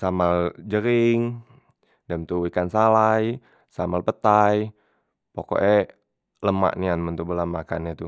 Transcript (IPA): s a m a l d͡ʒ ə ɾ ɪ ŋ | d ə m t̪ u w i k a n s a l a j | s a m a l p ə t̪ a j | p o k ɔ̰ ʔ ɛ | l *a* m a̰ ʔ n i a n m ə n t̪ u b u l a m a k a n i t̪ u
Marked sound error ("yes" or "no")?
yes